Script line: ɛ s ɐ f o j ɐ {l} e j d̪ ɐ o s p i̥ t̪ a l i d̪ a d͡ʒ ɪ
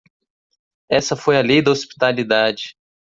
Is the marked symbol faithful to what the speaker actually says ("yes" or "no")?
yes